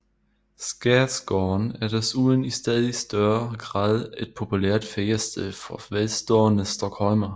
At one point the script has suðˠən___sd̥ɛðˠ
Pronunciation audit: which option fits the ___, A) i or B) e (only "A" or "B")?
A